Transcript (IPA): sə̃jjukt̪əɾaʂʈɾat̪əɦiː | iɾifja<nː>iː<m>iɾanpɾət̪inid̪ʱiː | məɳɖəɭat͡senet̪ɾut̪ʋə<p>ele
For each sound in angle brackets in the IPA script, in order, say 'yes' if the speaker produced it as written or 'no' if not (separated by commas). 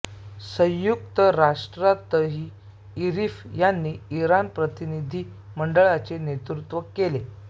yes, no, no